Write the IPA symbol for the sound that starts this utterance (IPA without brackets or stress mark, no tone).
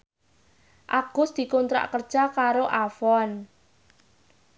ʔ